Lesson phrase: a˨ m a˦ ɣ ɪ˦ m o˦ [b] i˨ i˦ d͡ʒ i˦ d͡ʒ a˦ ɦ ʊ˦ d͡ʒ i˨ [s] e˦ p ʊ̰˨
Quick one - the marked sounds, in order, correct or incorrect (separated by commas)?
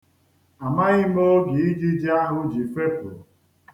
incorrect, incorrect